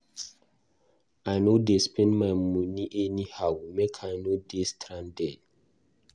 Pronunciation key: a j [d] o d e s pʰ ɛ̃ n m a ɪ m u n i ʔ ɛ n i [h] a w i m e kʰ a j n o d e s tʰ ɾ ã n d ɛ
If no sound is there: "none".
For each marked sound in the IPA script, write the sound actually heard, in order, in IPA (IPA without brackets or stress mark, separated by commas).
n, h